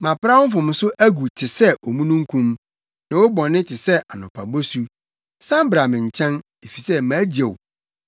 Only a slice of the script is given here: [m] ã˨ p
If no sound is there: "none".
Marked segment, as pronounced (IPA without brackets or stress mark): m